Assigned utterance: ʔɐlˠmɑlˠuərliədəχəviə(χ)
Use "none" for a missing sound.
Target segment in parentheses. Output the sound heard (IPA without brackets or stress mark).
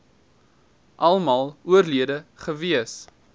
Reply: s